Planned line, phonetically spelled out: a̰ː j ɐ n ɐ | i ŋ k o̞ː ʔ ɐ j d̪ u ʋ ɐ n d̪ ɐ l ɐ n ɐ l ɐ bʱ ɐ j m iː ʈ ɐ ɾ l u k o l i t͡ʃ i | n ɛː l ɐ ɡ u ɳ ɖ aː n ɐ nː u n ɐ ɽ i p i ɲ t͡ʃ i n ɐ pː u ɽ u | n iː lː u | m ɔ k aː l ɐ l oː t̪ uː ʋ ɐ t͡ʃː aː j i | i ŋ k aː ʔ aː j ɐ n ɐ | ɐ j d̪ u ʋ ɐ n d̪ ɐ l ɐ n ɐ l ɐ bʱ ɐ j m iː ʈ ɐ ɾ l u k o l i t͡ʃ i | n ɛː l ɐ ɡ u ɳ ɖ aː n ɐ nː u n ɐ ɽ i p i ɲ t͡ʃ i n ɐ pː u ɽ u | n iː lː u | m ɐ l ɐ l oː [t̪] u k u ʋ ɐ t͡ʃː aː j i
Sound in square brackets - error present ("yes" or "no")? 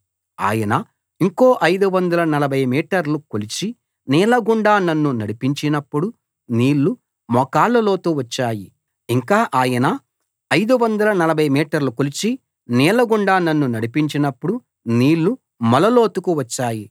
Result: no